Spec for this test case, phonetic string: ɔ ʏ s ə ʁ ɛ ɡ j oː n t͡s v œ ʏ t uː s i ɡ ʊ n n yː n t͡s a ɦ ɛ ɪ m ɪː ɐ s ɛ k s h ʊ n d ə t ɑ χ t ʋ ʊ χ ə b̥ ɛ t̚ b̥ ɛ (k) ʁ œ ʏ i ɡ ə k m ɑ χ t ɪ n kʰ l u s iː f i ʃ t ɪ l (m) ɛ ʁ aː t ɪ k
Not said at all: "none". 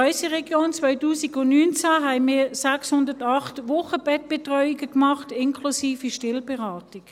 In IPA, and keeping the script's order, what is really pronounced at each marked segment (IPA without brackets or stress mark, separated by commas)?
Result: t, b